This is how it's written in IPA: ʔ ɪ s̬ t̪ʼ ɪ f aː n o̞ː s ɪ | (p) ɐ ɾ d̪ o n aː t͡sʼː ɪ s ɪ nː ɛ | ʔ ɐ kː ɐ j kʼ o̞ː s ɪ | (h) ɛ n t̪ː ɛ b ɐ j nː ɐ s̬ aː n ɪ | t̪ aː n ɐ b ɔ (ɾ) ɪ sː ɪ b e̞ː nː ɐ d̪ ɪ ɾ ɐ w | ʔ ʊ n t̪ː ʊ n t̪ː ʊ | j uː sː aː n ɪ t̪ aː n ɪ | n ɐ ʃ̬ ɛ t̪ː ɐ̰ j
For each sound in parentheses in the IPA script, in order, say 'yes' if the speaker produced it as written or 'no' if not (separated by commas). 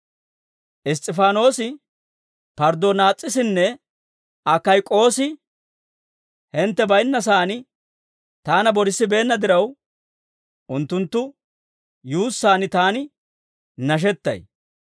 yes, yes, yes